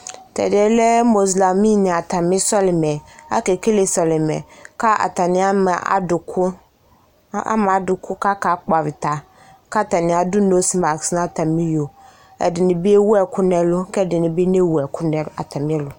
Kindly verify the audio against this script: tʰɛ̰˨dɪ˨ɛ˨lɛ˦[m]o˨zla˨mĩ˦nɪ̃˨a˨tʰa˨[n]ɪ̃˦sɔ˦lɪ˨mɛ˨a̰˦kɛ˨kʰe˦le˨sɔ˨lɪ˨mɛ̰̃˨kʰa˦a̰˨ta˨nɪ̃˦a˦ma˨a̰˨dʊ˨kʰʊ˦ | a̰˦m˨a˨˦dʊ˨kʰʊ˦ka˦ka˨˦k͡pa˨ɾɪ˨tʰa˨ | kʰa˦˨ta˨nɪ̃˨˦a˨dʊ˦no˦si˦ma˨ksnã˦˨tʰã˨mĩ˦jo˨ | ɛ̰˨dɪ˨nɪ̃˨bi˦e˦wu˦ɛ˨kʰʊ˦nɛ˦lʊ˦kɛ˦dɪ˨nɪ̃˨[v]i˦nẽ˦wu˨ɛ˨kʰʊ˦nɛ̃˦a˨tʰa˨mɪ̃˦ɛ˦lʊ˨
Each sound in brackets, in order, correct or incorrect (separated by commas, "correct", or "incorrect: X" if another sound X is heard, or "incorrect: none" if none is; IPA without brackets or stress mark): correct, incorrect: m, incorrect: b